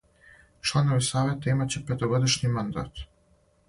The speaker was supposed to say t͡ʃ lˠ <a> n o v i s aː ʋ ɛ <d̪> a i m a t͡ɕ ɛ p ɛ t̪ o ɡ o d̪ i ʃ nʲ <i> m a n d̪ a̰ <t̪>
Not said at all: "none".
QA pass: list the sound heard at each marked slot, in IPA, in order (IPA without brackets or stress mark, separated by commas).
a, t̪, i, t̪